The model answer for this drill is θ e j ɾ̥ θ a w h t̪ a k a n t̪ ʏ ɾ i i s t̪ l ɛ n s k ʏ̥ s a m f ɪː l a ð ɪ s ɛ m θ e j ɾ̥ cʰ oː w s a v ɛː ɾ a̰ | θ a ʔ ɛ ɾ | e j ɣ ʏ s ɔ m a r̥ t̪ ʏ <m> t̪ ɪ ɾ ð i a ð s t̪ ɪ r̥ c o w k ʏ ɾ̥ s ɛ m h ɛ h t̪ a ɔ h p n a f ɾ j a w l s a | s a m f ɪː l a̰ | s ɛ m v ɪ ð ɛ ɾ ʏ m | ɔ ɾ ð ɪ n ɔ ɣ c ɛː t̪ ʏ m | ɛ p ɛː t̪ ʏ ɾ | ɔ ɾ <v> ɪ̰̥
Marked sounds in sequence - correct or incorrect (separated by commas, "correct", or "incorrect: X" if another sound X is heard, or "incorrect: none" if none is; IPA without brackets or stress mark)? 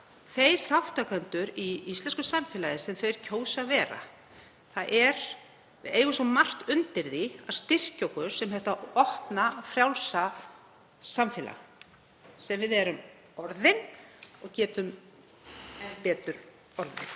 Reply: incorrect: n, incorrect: ð